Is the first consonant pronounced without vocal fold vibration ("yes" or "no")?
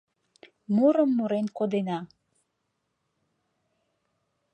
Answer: no